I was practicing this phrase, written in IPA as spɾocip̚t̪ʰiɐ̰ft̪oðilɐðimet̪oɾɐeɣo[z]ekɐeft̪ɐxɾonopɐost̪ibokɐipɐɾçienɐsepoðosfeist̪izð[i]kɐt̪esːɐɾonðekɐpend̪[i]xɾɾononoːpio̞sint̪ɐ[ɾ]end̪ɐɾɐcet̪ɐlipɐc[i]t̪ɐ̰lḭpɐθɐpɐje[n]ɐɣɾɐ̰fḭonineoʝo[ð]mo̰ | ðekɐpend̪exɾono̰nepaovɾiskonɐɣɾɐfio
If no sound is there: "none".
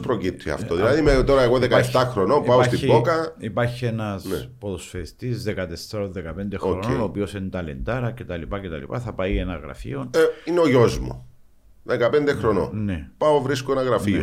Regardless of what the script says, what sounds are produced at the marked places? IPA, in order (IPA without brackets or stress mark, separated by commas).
ð, e, e, l, e, n, z